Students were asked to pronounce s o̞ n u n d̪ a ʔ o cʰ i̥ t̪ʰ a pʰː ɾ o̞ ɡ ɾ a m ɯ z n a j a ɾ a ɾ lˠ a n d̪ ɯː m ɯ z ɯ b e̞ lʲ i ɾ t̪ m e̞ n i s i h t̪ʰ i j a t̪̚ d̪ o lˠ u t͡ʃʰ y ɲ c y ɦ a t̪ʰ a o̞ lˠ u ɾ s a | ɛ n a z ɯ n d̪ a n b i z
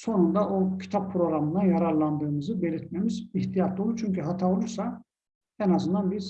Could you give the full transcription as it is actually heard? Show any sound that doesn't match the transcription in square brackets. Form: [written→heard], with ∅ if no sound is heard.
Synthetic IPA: s o̞ n u n d̪ a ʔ o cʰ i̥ t̪ʰ a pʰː ɾ o̞ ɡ ɾ a m ɯ [z→∅] n a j a ɾ a ɾ lˠ a n d̪ ɯː m ɯ z ɯ b e̞ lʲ i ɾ t̪ m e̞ [n→m] i [s→z] i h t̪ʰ i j a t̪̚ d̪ o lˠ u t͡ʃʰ y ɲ c y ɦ a t̪ʰ a o̞ lˠ u ɾ s a | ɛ n a z ɯ n d̪ a n b i z